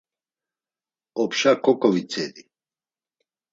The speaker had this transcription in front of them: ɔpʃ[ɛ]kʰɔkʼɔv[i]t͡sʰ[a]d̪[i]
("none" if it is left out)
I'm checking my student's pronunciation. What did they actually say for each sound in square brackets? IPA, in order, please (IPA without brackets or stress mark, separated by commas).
a, i, ɛ, i